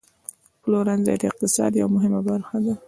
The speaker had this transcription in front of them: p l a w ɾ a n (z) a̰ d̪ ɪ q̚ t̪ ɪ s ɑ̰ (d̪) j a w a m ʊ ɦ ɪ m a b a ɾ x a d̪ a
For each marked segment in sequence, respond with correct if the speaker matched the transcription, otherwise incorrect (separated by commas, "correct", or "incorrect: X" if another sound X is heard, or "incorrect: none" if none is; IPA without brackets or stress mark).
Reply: correct, correct